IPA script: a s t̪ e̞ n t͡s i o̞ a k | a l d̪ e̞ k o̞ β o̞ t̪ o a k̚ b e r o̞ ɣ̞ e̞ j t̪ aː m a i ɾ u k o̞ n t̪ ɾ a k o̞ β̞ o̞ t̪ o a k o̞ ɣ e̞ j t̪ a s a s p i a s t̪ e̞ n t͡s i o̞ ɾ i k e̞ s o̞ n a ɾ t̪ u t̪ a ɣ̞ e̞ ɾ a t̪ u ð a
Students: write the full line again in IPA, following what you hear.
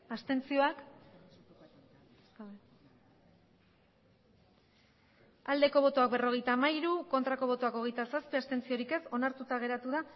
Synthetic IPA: a s t̪ e̞ n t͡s i o̞ a k | a l d̪ e̞ k o̞ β o̞ t̪ o a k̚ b e r o̞ ɣ̞ e̞ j t̪ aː m a i ɾ u k o̞ n t̪ ɾ a k o̞ β̞ o̞ t̪ o a k o̞ ɣ e̞ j t̪ a s a s p i a s t̪ e̞ n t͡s i o̞ ɾ i k e̞ s o̞ n a ɾ t̪ u t̪ a ɣ̞ e̞ ɾ a t̪ u ð a